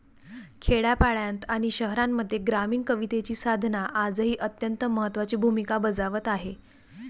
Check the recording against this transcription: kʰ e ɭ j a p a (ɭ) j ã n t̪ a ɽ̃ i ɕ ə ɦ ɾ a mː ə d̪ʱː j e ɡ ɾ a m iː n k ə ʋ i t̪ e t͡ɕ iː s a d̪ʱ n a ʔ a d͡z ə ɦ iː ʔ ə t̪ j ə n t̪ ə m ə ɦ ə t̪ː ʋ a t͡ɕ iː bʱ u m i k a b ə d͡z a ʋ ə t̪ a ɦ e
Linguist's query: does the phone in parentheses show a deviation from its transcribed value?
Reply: no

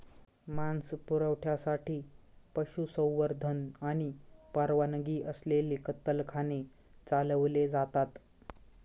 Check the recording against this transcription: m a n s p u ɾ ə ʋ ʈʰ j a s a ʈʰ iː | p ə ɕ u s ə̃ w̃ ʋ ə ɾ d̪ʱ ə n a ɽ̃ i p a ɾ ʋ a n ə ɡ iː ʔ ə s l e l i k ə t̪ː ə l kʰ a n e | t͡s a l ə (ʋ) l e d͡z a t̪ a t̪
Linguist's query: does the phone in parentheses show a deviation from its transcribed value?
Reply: no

